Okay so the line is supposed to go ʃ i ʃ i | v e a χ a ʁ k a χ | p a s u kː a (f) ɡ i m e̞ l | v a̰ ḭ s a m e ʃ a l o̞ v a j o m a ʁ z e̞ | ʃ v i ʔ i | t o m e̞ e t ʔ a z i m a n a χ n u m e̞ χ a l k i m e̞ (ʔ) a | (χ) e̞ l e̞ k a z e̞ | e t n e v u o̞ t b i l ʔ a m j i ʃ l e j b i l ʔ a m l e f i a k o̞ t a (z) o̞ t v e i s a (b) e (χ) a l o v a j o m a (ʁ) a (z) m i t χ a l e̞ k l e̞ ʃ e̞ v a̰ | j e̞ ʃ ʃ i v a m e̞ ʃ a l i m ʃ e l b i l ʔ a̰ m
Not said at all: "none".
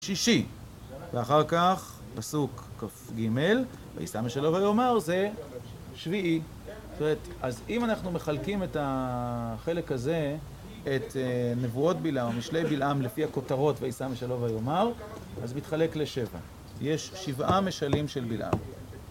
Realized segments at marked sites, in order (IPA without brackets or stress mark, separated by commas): f, t, χ, ʁ, m, ʃ, ʁ, z